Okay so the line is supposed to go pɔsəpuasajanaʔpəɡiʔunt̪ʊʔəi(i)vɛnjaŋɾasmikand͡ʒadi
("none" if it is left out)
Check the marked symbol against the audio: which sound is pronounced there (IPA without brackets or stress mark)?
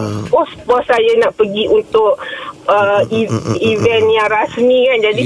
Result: i